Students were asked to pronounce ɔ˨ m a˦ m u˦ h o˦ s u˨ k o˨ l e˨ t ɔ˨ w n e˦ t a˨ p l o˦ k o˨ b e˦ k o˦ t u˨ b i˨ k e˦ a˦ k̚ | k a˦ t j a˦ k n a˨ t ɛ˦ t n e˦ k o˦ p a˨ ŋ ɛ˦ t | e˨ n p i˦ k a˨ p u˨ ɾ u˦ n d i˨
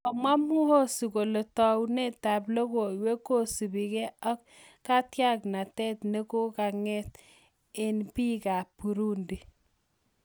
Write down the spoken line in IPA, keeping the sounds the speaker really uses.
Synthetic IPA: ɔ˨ m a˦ m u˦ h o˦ s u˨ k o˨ l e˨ t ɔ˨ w n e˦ t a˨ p l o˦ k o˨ w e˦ k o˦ s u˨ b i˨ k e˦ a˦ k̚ | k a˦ t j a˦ k n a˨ t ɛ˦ t n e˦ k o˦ k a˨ ŋ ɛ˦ t | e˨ n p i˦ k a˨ p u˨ ɾ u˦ n d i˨